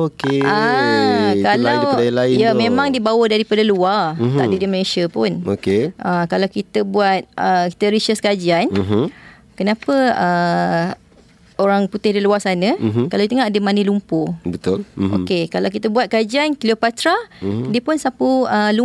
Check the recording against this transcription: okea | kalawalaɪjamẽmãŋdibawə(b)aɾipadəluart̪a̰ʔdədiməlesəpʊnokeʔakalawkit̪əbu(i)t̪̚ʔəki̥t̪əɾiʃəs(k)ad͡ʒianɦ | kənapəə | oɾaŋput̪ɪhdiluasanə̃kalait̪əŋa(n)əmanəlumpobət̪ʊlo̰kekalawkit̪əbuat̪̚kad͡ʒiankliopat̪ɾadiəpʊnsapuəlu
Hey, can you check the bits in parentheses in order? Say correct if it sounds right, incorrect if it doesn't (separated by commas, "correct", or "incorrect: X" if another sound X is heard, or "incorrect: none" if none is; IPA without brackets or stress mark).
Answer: incorrect: d, incorrect: a, correct, incorrect: d